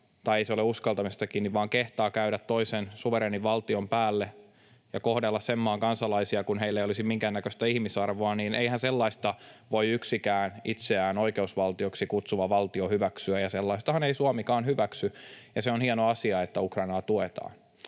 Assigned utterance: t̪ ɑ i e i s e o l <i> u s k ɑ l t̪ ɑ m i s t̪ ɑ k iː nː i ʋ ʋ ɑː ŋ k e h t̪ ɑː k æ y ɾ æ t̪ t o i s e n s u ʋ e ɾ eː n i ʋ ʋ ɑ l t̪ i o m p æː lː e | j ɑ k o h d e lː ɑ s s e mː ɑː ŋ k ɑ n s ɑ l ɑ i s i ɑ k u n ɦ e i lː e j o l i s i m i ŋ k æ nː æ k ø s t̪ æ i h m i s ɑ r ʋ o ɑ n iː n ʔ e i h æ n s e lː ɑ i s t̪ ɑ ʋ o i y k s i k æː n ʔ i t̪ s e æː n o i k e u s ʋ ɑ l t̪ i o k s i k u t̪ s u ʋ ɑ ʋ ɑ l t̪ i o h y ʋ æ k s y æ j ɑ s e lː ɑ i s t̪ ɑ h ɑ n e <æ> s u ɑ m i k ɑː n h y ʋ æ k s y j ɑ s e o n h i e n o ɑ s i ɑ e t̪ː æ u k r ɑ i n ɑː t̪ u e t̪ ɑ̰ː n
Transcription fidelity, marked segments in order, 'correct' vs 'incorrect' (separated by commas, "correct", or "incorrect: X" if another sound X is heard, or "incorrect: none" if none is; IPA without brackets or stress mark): incorrect: e, incorrect: i